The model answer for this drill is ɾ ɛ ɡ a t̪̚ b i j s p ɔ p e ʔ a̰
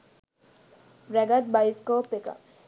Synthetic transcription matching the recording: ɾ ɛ ɡ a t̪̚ b a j s k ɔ p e k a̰

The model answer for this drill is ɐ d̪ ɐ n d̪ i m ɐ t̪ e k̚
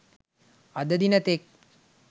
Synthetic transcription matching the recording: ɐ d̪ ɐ d̪ i n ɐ t̪ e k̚

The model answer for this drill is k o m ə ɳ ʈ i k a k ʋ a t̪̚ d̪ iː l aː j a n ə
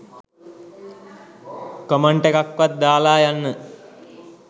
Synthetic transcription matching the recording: k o m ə ɳ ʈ e k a k ʋ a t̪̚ d̪ aː l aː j a nː ə

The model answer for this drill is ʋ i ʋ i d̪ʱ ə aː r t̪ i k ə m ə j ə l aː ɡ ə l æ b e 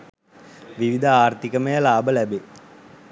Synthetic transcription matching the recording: ʋ i ʋ i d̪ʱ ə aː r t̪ i k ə m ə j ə l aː b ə l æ b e

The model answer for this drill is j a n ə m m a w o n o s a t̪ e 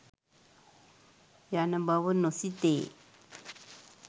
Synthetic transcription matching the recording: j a n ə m b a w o n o s i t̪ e

